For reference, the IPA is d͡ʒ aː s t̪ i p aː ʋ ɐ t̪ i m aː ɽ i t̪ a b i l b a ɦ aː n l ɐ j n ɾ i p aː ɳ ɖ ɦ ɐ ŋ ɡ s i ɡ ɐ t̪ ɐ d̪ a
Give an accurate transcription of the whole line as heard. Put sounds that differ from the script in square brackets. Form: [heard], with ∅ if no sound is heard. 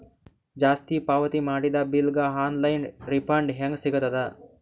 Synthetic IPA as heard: d͡ʒ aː s t̪ i p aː ʋ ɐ t̪ i m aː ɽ i [d̪] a b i l [ɡ] a ɦ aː n l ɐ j n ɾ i p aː ɳ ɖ ɦ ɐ ŋ ɡ s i ɡ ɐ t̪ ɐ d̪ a